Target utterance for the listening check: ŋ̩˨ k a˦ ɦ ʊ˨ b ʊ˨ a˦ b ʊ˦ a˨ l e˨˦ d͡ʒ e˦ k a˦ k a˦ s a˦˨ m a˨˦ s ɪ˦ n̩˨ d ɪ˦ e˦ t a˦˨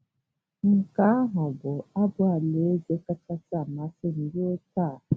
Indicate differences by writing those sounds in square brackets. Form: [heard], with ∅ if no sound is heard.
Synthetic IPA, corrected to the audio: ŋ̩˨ k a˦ ɦ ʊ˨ b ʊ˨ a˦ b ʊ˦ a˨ l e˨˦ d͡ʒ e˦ k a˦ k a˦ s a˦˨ m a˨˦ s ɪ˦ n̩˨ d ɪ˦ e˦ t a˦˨